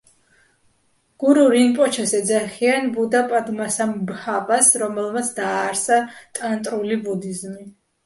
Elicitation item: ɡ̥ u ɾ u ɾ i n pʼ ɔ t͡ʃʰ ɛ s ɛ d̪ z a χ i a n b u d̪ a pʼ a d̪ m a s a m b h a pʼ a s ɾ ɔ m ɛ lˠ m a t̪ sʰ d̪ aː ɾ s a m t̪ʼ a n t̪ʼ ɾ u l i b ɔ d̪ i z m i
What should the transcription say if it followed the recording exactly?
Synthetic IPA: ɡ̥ u ɾ u ɾ i n pʼ ɔ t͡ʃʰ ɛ s ɛ d̪ z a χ i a n b u d̪ a pʼ a d̪ m a s a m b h a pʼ a s ɾ ɔ m ɛ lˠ m a t̪ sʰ d̪ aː ɾ s a t̪ʼ a n t̪ʼ ɾ u l i b u d̪ i z m i